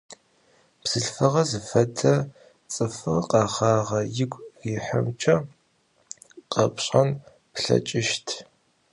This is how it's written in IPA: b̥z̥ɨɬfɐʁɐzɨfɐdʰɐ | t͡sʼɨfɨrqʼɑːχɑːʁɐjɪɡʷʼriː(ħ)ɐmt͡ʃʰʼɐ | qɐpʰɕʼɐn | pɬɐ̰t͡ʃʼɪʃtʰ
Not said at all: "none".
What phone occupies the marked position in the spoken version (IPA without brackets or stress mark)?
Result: ħ